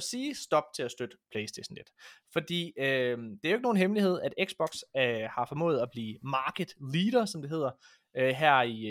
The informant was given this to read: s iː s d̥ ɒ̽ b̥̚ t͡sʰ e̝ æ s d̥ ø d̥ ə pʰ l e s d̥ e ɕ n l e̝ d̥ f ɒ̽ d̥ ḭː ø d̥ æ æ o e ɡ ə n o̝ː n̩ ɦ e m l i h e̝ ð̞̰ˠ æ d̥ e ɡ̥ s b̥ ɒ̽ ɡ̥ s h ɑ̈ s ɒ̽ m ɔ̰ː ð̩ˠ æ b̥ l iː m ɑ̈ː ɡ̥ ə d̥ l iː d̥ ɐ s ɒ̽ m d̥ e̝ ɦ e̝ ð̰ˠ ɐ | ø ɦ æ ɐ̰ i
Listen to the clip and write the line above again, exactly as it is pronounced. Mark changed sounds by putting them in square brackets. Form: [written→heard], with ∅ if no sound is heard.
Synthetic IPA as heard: s iː s d̥ ɒ̽ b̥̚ t͡sʰ e̝ æ s d̥ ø d̥ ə pʰ l e s d̥ e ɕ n l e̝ d̥ f ɒ̽ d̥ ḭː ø d̥ [æ→e] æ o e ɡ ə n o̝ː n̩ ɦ e m l i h e̝ ð̞̰ˠ æ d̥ e ɡ̥ s b̥ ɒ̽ ɡ̥ s h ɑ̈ [s→f] ɒ̽ m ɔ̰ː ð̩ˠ æ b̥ l iː m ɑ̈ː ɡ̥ ə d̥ l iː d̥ ɐ s ɒ̽ m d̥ e̝ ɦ e̝ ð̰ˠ ɐ | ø ɦ æ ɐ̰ i